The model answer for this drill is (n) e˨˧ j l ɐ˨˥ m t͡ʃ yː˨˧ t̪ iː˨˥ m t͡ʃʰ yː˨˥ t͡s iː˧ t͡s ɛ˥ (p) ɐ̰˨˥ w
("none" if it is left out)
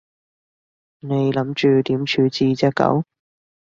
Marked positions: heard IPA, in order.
n, k

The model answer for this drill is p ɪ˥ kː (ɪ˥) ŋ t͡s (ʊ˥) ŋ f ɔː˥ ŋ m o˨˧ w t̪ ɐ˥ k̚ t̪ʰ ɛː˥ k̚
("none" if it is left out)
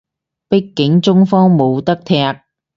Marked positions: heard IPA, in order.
ɪ˨˥, ʊ˥

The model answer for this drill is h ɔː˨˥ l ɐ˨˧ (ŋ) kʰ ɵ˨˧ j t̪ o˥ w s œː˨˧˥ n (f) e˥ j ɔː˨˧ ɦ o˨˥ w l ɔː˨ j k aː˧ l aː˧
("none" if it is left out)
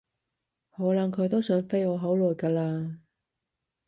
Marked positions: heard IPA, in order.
ŋ, f

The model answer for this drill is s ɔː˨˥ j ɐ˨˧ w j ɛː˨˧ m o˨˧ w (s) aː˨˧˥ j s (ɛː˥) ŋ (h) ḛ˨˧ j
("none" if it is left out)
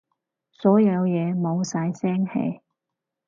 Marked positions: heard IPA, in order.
s, ɛː˥, h

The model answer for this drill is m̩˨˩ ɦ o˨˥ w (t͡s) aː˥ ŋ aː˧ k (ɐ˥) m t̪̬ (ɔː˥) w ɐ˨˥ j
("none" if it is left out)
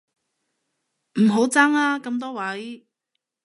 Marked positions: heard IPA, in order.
t͡s, ɐ˧, ɔː˥

